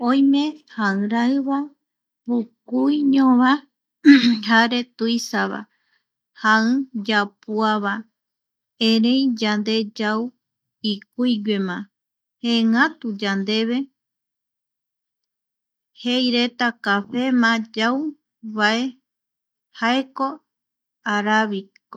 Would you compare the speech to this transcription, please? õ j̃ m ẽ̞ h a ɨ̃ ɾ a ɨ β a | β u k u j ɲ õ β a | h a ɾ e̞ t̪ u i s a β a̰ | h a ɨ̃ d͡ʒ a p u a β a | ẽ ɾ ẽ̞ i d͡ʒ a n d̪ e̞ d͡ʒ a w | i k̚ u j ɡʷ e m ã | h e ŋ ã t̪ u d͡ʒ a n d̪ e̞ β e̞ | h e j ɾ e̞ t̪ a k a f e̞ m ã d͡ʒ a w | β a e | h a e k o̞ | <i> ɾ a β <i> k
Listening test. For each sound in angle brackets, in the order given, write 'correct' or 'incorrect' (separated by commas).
incorrect, correct